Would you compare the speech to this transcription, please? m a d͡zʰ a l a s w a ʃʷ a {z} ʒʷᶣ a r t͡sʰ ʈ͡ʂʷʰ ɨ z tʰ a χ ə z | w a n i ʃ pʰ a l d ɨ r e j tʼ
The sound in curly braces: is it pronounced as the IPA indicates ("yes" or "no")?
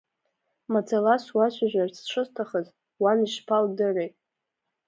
no